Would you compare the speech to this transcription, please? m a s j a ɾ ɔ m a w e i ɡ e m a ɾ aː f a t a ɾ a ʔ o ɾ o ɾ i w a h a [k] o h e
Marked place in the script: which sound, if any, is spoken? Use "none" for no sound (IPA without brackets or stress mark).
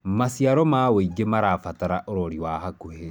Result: k